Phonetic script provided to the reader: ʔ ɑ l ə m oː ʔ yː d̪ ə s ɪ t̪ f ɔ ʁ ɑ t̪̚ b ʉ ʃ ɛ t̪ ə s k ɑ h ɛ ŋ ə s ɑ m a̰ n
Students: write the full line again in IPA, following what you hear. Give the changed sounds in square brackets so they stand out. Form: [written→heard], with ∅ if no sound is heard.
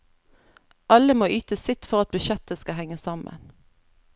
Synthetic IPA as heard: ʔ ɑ l ə m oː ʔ yː [d̪→t̪] ə s ɪ t̪ f ɔ ʁ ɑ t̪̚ b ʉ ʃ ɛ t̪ ə s k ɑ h ɛ ŋ ə s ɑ m [a̰→ə̰] n

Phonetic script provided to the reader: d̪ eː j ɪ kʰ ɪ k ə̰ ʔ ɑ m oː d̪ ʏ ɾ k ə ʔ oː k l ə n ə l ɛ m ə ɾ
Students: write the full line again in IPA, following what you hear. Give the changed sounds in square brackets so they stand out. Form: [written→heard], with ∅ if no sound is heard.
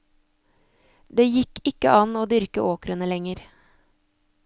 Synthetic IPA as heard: d̪ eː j ɪ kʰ ɪ k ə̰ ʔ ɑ [m→n] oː d̪ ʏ ɾ k ə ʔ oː k [l→ɾ] ə n ə l ɛ [m→ŋ] ə ɾ

